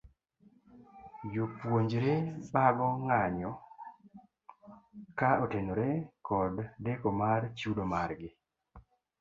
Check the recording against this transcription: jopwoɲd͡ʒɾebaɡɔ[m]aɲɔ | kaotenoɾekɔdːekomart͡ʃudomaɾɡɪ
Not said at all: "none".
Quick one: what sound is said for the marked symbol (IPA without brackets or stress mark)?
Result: ŋ